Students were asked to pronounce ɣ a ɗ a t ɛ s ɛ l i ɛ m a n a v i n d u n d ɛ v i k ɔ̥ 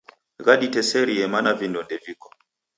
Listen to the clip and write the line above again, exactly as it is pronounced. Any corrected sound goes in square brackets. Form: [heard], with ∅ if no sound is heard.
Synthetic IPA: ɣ a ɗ [i] t ɛ s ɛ [ɾ] i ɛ m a n a v i n d [ɔ] n d ɛ v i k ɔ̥

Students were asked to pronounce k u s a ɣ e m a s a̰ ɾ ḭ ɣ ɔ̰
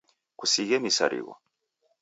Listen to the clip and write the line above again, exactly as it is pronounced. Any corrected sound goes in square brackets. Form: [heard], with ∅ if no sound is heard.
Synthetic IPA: k u s [i] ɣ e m [i] s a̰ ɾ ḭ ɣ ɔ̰

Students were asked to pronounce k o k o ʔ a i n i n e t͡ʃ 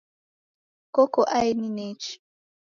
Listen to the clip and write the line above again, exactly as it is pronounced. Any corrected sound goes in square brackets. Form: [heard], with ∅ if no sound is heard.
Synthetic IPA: k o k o ʔ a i n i n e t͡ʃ

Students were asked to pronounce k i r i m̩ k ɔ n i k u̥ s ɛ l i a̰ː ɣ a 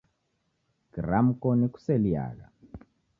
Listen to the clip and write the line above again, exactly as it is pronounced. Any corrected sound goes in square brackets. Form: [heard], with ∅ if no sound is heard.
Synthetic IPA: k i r [a] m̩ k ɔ n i k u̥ s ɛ l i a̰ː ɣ a

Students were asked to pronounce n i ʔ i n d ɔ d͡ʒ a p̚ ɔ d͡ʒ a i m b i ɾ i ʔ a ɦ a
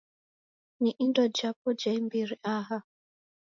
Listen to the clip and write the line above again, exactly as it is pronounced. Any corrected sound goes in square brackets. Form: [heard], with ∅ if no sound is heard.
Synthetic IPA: n i ʔ i n d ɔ d͡ʒ a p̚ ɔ d͡ʒ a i m b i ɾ i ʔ a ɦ a

